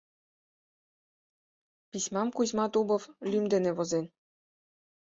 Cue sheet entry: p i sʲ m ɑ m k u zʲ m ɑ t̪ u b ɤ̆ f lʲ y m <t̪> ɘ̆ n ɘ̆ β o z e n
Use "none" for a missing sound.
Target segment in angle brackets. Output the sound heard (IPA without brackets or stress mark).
d̪